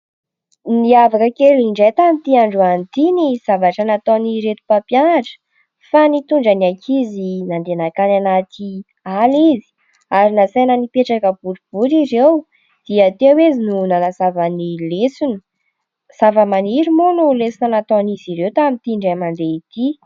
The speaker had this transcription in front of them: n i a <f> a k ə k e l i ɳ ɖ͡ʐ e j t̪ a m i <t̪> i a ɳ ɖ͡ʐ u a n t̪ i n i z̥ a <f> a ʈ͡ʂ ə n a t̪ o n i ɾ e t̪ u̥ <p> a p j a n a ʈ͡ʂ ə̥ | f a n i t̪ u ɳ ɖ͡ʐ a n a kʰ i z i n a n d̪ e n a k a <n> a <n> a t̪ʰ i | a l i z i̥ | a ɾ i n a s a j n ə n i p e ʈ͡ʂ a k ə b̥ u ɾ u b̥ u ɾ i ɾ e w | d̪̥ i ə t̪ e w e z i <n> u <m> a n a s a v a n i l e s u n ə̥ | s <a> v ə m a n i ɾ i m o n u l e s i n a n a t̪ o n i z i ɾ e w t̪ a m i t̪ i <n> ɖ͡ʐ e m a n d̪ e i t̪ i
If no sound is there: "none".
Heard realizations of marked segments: v, t̪, v, p, n, n, n, n, a, ɳ

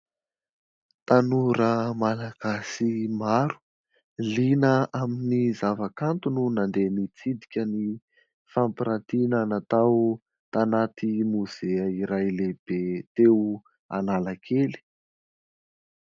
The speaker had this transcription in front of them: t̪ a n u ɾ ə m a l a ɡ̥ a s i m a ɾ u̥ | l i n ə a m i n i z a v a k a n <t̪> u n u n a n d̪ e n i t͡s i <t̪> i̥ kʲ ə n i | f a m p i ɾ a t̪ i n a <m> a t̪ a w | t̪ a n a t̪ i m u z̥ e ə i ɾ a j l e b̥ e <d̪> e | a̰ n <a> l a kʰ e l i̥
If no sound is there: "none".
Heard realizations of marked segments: t̪, d̪, n, t̪, a

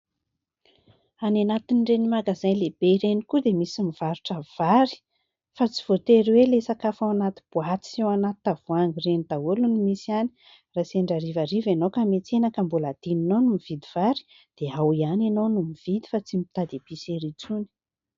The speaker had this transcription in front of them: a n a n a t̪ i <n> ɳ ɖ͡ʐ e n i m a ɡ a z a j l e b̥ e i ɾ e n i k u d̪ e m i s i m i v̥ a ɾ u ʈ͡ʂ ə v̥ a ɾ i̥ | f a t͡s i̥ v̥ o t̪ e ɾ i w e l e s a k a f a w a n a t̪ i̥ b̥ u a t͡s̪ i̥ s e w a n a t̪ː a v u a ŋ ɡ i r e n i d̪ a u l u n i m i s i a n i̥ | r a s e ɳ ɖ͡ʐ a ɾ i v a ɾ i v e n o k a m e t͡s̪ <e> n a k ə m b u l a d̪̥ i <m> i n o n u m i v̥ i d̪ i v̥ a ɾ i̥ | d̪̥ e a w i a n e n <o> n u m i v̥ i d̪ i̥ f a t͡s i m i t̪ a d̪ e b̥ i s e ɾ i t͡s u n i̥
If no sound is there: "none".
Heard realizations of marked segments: n, e, n, o

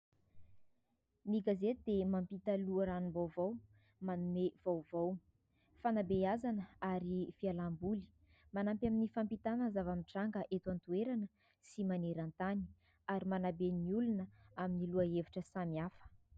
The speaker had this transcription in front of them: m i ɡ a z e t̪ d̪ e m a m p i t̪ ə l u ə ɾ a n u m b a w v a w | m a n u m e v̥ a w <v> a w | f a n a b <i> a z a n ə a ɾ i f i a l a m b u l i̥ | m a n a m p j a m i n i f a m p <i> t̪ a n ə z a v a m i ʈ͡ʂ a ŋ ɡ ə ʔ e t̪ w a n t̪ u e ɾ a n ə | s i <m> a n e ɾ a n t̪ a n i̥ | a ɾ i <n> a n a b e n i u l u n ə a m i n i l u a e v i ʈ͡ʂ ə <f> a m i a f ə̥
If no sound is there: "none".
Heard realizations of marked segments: v, e, i, m, m, s

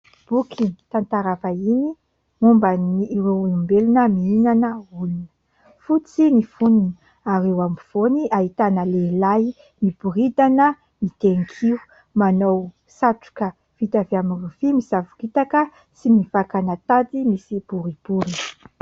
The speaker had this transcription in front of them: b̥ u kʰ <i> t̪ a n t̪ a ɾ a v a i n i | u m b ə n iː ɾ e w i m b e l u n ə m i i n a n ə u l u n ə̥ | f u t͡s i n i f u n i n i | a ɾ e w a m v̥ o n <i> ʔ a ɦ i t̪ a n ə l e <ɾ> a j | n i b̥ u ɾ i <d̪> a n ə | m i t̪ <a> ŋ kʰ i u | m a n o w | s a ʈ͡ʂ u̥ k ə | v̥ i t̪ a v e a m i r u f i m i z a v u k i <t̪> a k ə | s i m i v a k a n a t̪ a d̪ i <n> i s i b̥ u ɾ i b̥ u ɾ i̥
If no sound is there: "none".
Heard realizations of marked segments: i, i, l, d̪, e, t̪, m

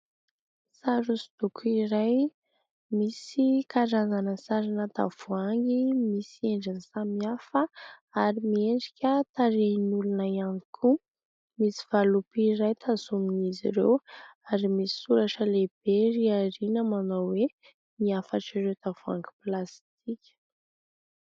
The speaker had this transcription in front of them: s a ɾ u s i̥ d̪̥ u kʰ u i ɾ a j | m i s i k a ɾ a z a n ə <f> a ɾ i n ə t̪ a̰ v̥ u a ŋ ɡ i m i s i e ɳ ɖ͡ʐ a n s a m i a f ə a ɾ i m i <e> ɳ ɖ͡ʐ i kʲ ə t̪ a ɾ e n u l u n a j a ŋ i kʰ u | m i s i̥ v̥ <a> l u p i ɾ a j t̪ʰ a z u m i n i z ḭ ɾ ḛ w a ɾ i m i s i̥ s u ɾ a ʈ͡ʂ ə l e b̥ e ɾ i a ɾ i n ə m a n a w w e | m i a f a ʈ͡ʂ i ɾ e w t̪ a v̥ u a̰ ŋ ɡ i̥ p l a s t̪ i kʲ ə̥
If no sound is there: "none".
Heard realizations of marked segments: s, e, a

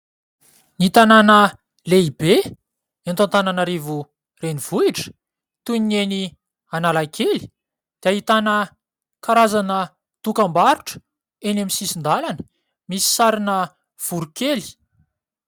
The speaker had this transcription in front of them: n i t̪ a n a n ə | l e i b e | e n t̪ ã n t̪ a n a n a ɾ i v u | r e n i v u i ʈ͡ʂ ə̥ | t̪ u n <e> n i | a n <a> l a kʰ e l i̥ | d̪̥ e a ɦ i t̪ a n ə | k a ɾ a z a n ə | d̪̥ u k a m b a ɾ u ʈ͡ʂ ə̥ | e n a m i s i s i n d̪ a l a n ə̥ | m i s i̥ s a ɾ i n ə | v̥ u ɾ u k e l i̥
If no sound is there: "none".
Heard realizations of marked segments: e, a

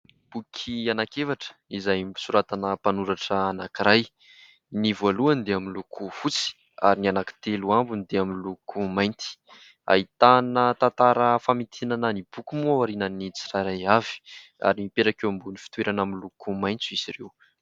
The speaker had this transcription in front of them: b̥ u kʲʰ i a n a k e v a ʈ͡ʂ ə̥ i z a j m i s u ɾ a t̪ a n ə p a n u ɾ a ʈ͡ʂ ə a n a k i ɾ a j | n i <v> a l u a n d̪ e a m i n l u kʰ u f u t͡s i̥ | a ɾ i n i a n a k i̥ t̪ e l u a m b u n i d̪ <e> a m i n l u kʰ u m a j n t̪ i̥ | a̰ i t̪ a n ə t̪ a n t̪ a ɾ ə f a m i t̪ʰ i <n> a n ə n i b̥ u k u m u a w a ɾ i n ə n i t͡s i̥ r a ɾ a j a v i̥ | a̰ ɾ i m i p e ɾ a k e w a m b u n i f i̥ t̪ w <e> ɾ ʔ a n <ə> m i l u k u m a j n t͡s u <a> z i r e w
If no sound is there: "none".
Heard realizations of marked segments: v, e, n, e, a, i

